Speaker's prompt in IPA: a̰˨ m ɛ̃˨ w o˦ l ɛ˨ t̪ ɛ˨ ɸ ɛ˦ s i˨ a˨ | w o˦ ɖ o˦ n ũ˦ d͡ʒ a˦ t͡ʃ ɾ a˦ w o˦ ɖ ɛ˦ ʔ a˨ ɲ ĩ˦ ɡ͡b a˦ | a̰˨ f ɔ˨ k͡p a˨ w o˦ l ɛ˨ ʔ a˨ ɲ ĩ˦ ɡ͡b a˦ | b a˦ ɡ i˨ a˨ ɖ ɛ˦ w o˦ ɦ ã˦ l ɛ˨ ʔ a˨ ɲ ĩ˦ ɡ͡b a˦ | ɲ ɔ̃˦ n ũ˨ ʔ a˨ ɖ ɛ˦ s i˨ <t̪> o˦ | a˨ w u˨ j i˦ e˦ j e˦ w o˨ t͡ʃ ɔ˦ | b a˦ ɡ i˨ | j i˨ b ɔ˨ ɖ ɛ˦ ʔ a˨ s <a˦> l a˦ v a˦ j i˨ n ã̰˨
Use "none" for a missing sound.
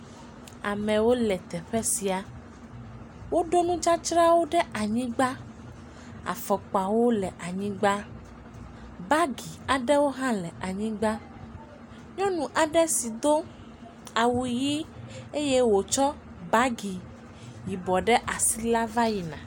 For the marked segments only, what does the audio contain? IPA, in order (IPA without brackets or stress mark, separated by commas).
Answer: d̪, i˦